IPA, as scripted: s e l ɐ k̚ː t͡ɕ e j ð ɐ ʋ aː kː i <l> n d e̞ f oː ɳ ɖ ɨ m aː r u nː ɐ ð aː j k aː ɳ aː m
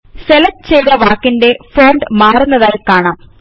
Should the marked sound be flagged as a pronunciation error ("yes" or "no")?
yes